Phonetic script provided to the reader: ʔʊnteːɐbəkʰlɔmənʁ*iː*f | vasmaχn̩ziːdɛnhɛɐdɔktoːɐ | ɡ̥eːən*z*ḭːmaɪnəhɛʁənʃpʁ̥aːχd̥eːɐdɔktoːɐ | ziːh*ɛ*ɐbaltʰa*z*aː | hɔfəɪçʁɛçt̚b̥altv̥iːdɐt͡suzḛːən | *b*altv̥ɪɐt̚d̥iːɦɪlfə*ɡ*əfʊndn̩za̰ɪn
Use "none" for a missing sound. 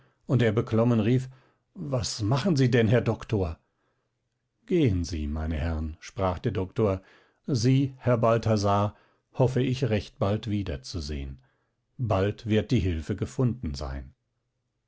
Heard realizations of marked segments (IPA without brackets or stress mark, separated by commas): iː, z, ɛ, z, b, ɡ